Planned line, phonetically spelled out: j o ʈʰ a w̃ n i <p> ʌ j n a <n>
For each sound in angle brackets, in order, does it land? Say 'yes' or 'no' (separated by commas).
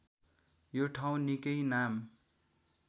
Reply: no, no